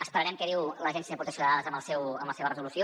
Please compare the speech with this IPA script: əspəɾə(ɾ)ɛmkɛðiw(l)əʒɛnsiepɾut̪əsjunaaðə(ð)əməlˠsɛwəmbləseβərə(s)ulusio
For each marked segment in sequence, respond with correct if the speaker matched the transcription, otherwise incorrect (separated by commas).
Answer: correct, correct, incorrect, incorrect